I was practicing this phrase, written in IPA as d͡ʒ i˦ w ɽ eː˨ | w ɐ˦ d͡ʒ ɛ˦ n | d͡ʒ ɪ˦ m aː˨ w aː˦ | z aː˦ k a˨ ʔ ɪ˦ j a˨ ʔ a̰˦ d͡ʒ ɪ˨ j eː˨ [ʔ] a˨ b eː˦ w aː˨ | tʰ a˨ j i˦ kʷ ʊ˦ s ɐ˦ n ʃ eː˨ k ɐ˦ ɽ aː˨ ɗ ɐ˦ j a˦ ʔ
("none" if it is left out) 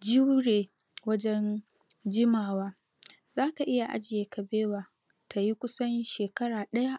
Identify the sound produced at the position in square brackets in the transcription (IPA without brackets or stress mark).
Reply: k